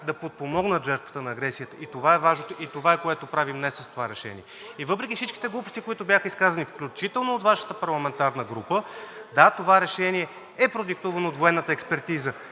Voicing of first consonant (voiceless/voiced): voiced